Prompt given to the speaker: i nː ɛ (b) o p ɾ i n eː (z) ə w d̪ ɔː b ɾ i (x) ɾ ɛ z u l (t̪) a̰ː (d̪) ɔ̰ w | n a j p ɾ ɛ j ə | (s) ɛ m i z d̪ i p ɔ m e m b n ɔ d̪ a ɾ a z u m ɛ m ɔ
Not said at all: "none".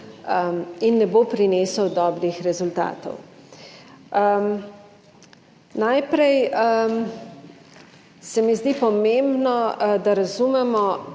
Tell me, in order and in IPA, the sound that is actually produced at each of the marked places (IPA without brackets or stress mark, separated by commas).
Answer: b, s, x, t̪, t̪, s